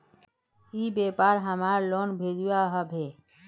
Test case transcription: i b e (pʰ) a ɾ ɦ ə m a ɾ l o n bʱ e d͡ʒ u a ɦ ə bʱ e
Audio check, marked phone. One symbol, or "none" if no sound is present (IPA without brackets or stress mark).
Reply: p